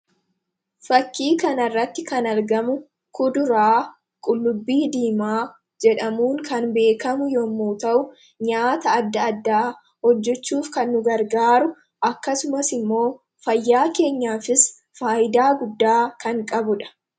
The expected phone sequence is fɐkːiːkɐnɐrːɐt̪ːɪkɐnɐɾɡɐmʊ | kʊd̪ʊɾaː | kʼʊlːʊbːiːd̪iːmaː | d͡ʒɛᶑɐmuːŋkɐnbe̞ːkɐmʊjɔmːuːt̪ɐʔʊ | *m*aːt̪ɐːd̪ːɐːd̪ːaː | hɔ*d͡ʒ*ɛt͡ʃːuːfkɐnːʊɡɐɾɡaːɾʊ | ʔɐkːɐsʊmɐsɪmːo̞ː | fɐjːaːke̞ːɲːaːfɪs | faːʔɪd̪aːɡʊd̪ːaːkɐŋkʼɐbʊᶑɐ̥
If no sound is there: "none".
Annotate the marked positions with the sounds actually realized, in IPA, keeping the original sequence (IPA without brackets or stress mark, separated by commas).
ɲ, d͡ʒː